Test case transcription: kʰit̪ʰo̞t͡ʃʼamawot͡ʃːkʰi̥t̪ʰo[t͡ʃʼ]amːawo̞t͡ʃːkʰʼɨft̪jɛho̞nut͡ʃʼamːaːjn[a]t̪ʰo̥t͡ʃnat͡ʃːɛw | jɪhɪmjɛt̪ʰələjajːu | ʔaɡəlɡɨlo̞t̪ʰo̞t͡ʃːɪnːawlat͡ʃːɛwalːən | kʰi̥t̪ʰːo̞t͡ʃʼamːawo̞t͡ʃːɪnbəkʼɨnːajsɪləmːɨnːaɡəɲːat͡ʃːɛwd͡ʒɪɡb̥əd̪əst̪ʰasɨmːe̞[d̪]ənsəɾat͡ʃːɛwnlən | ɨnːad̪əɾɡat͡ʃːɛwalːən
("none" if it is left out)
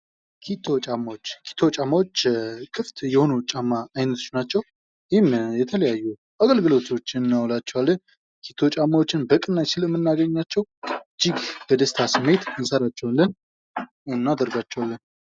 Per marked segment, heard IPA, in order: t͡ʃʼ, ə, t̪

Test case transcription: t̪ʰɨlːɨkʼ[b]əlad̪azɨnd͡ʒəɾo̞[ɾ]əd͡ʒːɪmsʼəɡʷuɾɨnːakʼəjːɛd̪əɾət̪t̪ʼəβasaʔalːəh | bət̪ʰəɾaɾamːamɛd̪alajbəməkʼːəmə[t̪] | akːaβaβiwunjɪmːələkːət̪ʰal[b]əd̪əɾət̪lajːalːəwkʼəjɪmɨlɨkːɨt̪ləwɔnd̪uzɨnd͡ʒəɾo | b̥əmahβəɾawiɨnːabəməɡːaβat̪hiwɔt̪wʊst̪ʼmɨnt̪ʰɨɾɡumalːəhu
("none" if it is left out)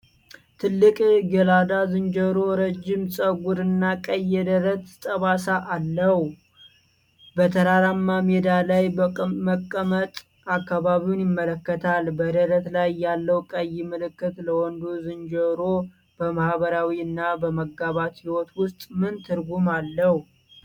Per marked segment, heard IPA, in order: ɡ, ɾ, t̪ʼ, b

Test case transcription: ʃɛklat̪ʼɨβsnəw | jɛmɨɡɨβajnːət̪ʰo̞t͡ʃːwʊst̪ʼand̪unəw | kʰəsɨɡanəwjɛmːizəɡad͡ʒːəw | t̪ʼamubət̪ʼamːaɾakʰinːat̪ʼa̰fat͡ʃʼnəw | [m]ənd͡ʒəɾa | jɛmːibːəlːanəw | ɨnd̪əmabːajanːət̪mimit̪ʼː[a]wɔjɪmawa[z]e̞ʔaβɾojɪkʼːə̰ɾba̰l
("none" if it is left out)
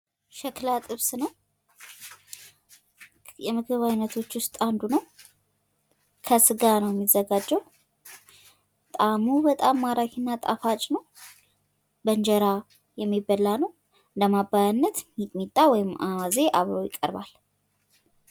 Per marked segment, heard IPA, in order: b, a, z

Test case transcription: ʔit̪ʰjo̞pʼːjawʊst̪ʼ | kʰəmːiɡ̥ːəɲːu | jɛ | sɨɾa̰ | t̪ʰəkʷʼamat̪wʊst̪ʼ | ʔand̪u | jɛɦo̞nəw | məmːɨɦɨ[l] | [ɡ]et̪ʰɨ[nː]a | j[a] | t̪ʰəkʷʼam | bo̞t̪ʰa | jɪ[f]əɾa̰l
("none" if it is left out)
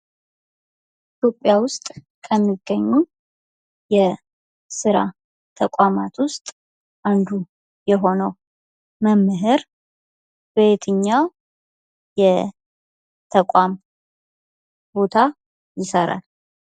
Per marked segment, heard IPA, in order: ɾ, b, ɲː, ɛ, s

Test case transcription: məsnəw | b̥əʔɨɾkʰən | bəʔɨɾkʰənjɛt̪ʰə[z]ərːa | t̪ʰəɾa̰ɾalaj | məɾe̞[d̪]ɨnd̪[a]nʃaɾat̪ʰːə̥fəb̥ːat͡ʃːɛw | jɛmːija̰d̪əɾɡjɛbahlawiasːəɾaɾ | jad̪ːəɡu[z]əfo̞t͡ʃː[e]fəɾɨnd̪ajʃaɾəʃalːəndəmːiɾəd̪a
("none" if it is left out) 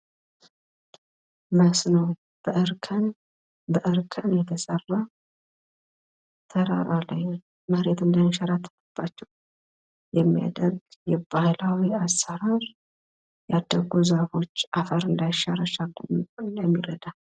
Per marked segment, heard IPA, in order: s, t̪, ə, z, a

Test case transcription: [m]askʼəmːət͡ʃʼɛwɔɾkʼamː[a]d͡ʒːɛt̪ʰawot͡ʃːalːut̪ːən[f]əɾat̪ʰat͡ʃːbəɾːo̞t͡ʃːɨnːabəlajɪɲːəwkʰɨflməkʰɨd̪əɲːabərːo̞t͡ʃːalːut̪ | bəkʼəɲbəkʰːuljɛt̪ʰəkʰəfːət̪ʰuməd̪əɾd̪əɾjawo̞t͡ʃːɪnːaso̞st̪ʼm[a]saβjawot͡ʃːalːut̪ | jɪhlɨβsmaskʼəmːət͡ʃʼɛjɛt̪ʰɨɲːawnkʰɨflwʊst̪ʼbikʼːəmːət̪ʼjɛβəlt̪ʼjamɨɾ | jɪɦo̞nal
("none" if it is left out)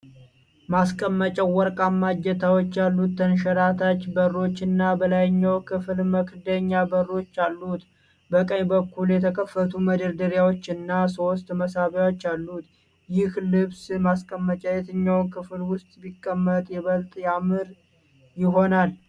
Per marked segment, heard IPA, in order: m, a, ʃ, ə

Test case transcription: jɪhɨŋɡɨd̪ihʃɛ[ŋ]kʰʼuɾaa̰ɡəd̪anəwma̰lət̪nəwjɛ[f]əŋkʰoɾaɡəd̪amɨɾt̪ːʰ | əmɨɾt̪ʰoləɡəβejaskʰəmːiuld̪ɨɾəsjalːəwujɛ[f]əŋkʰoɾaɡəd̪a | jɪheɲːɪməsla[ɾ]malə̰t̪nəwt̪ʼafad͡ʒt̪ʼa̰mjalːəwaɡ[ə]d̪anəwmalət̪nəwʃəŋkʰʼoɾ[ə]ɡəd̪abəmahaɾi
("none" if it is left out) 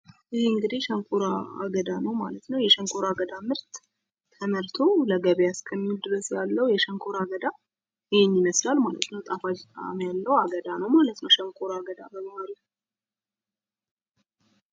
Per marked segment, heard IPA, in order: ŋ, ʃ, ʃ, l, ə, a

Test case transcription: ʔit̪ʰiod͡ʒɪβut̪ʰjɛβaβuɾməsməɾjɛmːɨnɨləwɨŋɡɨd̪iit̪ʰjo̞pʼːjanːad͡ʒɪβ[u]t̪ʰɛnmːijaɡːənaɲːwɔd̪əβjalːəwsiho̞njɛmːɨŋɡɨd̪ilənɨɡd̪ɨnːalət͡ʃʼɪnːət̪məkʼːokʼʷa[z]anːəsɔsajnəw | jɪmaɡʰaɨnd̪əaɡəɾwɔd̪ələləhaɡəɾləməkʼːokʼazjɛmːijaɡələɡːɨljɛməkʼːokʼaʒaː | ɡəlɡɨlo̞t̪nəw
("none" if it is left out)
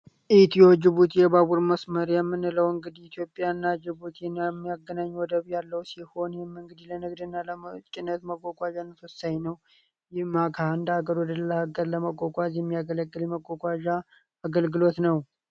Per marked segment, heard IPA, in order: u, ʒ

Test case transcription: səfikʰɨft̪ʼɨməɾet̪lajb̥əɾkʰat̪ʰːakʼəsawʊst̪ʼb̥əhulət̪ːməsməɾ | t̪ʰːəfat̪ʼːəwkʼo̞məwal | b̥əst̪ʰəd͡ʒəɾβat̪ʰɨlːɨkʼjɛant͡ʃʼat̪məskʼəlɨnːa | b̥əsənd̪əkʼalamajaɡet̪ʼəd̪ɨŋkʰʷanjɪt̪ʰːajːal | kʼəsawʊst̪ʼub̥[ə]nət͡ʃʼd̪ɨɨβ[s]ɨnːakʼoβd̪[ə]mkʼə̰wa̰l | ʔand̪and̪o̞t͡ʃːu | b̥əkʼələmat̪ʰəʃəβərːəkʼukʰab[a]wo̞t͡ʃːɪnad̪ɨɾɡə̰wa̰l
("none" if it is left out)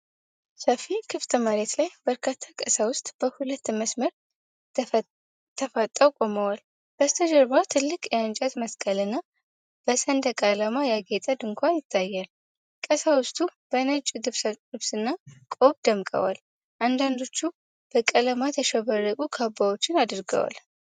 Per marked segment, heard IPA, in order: ə, s, ə, a

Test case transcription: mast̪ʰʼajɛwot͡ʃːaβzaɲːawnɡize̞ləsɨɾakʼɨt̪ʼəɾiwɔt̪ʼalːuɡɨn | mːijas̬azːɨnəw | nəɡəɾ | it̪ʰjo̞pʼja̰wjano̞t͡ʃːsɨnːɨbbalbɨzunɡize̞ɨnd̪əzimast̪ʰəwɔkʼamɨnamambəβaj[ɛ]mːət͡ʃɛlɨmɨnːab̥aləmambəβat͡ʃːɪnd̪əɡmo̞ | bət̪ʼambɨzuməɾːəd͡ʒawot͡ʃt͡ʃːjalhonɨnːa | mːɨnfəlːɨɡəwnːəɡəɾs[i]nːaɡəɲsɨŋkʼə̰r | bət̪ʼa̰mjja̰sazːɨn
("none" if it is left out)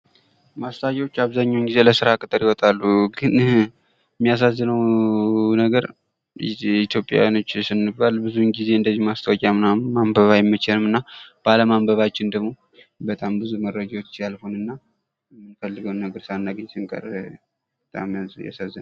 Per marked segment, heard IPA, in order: ɛ, a

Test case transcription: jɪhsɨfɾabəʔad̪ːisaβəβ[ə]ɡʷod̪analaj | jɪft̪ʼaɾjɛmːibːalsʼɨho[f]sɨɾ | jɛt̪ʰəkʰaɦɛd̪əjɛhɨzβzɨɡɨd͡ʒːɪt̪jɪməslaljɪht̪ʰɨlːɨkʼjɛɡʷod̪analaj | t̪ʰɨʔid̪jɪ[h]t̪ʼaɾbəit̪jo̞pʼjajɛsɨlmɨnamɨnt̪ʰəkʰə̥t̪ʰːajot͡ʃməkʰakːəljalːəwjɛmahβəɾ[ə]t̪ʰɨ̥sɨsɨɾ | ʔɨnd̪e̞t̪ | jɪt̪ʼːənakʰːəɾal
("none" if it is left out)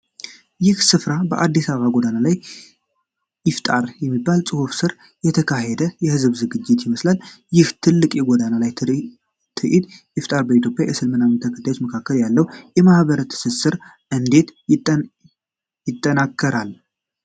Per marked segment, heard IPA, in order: a, f, f, ə

